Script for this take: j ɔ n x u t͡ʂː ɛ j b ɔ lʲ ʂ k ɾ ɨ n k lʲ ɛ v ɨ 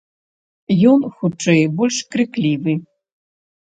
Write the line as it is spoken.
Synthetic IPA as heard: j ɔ n x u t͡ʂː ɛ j b ɔ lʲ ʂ k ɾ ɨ k lʲ i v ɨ